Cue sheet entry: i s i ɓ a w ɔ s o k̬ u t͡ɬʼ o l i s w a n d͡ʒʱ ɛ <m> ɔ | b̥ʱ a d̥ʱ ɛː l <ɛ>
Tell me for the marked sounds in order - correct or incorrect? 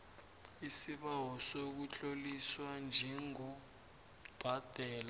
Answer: incorrect, incorrect

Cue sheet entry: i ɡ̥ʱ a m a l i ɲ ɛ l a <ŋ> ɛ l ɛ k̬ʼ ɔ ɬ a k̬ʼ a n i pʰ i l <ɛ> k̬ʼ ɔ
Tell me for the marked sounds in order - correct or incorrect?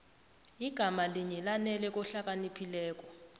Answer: incorrect, incorrect

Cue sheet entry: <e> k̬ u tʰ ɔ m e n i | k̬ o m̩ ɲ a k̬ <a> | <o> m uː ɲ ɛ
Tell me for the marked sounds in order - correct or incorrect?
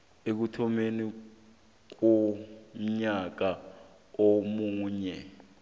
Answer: correct, correct, correct

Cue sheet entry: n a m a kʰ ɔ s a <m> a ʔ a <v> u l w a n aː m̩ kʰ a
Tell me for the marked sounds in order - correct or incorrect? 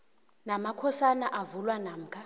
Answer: incorrect, correct

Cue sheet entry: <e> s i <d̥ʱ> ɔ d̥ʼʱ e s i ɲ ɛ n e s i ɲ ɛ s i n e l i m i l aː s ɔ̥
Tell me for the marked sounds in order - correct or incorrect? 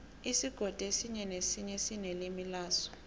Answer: incorrect, incorrect

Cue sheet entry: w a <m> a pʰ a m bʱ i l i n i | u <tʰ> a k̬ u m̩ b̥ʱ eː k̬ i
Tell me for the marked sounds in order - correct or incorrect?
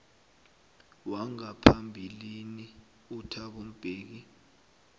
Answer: incorrect, correct

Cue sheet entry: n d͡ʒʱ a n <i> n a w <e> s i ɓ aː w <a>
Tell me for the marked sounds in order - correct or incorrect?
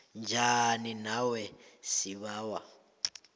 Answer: correct, incorrect, correct

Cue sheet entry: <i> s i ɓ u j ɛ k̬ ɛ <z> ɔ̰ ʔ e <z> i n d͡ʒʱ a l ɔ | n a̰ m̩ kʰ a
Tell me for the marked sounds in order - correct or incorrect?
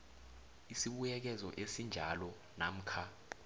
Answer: correct, correct, incorrect

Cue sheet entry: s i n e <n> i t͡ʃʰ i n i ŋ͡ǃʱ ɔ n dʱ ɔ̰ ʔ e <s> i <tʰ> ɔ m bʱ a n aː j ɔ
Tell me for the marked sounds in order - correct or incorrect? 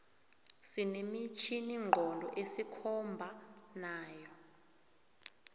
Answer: incorrect, correct, incorrect

